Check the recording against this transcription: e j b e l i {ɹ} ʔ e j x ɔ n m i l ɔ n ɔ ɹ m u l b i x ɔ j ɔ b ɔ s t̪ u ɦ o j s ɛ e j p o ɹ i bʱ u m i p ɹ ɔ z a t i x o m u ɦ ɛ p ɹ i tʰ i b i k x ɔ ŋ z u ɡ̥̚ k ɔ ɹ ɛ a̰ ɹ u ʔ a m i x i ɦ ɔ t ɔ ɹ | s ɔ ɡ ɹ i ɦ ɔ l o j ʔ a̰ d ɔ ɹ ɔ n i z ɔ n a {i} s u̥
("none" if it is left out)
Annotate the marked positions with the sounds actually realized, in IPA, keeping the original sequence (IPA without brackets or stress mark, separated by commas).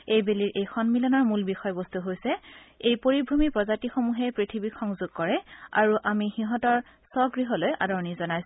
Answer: ɹ, j